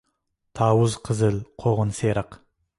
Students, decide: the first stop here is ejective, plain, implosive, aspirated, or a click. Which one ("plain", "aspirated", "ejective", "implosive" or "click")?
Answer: aspirated